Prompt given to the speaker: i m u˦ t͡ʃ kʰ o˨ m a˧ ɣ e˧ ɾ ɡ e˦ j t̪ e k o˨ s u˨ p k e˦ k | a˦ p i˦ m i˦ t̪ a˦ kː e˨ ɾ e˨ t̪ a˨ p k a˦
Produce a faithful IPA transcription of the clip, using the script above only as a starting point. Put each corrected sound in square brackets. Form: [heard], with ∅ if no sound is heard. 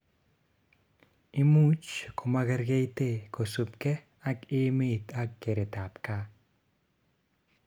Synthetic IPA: i m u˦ t͡ʃ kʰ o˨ m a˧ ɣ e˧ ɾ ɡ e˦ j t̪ e k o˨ s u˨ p k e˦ [∅] | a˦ [k] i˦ m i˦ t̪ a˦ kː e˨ ɾ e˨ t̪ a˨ p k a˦